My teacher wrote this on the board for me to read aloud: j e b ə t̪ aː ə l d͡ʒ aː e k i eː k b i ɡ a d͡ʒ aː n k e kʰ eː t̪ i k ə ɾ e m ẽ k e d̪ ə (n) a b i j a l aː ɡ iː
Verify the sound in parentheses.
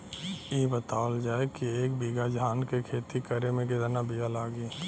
correct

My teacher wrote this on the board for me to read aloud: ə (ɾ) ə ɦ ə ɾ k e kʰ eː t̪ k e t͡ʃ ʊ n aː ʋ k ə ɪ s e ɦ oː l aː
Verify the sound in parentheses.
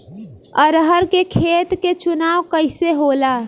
correct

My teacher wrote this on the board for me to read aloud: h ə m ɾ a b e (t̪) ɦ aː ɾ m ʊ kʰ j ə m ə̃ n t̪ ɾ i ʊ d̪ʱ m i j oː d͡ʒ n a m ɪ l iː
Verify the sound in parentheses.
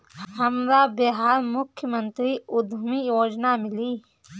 incorrect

